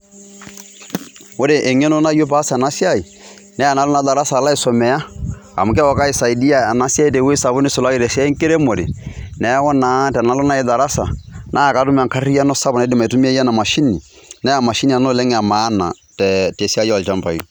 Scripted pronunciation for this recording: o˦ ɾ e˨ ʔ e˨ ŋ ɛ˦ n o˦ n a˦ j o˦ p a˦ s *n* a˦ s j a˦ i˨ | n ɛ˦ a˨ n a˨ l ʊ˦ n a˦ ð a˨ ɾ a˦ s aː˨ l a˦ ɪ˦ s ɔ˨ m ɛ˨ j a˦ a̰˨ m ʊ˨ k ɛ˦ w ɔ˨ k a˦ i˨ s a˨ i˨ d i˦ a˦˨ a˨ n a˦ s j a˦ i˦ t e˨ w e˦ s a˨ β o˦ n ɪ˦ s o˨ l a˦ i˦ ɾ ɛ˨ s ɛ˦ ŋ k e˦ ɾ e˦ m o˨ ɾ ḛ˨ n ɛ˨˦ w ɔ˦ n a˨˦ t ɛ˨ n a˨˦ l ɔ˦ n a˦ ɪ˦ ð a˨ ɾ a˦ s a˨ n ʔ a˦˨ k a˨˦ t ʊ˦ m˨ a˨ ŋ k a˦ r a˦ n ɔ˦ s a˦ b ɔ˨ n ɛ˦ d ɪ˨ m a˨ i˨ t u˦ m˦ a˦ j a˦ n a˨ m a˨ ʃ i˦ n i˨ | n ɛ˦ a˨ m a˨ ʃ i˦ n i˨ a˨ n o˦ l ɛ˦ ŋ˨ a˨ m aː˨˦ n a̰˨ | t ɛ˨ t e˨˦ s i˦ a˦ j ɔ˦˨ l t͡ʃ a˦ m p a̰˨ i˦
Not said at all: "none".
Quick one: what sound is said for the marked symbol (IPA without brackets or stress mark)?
n